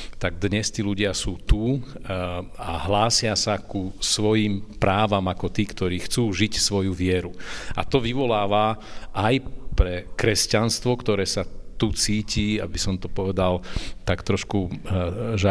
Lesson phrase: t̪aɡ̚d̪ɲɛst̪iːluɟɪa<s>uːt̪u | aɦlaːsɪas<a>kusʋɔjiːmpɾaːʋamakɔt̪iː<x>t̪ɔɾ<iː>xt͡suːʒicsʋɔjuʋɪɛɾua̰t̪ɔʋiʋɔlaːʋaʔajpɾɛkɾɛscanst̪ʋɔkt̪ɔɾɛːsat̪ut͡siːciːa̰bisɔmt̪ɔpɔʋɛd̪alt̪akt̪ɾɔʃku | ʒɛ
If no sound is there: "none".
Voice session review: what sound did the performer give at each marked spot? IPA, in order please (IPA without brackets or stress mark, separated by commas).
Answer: s, a, k, iː